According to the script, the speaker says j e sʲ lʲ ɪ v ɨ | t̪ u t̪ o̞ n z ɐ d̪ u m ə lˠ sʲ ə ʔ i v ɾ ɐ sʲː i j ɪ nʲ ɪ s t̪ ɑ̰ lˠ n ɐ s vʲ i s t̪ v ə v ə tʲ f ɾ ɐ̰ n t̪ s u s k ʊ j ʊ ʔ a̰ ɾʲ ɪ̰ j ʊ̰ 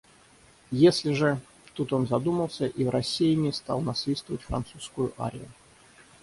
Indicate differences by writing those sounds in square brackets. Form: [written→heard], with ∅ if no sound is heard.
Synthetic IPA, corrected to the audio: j e sʲ lʲ ɪ [v→ʐ] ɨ | t̪ u t̪ o̞ n z ɐ d̪ u m ə lˠ sʲ ə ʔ i v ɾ ɐ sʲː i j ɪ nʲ ɪ s t̪ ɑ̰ lˠ n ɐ s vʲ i s t̪ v ə v ə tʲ f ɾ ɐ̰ n t̪ s u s k ʊ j ʊ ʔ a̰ ɾʲ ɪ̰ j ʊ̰